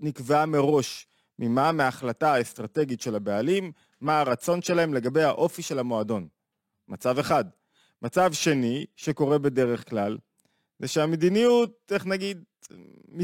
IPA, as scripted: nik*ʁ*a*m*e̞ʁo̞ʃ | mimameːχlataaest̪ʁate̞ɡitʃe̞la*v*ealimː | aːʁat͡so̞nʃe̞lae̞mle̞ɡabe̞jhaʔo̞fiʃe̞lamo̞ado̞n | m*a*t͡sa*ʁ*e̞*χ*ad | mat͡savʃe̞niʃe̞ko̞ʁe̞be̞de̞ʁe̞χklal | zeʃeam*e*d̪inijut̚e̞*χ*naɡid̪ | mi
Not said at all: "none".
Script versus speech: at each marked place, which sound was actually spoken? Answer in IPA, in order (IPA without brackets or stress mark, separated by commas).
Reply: v, m, b, a, v, χ, e, χ